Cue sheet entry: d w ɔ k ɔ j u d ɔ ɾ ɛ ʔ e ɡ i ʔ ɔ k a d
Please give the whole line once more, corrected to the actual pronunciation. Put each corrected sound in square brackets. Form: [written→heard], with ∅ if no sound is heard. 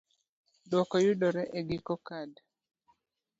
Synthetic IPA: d w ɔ k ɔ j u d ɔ ɾ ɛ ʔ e ɡ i [ʔ→k] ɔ k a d